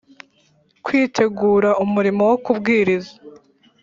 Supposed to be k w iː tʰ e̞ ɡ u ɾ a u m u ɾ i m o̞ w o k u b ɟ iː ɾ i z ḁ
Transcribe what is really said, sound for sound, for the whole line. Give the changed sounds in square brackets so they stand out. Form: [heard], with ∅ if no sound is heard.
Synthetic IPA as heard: k w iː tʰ e̞ ɡ [uː] ɾ a u m u ɾ i m o̞ w o k u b [ɡ] iː ɾ i z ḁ